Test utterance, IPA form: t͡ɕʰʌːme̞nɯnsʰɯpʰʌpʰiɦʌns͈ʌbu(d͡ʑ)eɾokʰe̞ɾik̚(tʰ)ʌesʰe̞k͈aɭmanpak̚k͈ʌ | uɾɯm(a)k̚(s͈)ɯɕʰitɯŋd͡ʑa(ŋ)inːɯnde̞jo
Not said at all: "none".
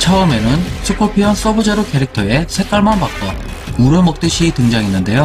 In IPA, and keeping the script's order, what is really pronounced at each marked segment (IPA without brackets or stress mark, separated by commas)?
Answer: d͡ʑ, tʰ, ʌ, t͈, ŋ